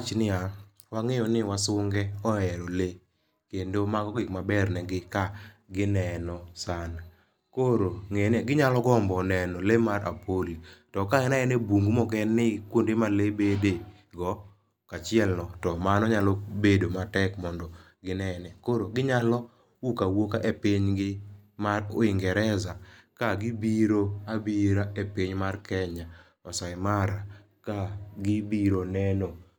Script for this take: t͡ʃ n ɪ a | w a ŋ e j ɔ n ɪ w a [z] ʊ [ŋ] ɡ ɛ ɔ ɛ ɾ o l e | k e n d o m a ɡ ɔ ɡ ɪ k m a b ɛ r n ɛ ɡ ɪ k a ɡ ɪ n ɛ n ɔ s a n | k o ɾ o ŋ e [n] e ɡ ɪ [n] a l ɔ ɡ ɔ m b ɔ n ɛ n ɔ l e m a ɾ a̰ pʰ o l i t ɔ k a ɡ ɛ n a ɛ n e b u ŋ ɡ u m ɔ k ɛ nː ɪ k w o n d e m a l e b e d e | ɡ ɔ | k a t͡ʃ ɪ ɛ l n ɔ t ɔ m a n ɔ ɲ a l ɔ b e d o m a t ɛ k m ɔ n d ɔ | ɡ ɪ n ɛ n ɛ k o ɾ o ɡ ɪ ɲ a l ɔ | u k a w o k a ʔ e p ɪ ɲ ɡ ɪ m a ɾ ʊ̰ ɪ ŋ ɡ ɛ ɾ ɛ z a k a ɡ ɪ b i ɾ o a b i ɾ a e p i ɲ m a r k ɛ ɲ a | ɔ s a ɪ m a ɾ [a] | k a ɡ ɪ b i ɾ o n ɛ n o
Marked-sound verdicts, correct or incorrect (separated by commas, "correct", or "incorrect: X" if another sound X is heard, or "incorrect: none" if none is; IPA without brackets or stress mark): incorrect: s, correct, correct, incorrect: ɲ, correct